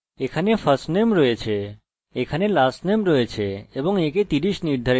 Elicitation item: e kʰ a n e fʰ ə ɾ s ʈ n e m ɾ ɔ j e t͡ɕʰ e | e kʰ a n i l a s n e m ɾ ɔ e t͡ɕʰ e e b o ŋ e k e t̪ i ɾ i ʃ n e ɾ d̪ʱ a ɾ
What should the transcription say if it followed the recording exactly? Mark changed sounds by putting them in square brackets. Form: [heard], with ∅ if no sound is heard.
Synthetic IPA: e kʰ a n e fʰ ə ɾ s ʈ n e m ɾ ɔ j e t͡ɕʰ e | e kʰ a n [e] l a s n e m ɾ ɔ e t͡ɕʰ e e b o ŋ e k e t̪ i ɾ i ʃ n [i] ɾ d̪ʱ a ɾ

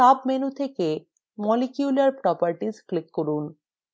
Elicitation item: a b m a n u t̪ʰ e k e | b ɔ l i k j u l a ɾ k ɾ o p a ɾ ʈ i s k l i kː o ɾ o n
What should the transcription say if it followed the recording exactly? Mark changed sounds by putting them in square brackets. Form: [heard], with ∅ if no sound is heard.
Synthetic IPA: a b m [e] n u t̪ʰ e k e | [m] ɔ l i k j u l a ɾ [p] ɾ [ɔ] p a ɾ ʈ i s k l i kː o ɾ [u] n

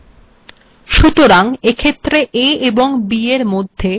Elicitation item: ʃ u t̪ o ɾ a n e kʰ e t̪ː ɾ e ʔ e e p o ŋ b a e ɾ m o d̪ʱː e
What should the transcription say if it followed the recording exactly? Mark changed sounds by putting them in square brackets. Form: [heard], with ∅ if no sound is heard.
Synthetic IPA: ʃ u t̪ o ɾ a [ŋ] e kʰ e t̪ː ɾ e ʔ e e [b] o ŋ b [i] e ɾ m o d̪ʱː e

